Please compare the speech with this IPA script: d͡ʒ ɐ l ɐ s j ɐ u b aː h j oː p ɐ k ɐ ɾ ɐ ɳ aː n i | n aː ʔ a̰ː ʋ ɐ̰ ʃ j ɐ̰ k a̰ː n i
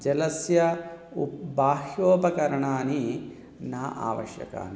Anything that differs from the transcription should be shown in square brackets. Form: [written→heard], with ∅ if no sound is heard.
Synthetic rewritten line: d͡ʒ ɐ l ɐ s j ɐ u b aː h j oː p ɐ k ɐ ɾ ɐ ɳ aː n i | n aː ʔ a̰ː ʋ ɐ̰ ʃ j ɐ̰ k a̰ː n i